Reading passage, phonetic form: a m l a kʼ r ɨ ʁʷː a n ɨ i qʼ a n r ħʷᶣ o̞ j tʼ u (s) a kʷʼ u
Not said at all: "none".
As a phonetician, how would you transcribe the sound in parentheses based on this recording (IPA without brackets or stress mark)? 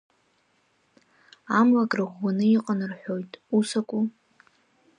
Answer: s